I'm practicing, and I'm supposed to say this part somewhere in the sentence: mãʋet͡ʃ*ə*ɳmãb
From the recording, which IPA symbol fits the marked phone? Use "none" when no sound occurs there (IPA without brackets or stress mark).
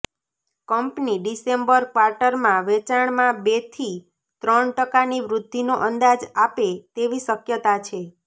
a